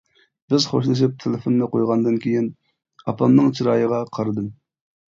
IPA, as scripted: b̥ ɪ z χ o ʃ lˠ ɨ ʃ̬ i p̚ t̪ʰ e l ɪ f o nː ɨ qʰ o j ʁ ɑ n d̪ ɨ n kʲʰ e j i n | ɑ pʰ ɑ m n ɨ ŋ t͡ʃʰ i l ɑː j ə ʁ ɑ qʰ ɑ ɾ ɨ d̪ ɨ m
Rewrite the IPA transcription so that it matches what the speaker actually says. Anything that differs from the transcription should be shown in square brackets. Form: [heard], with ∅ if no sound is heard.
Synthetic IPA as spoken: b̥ ɪ z χ o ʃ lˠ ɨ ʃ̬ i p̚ t̪ʰ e l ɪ f o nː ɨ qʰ o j ʁ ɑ n d̪ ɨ n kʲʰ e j i n | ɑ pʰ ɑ m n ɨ ŋ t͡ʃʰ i [ɾ] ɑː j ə ʁ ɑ qʰ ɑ ɾ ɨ d̪ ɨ m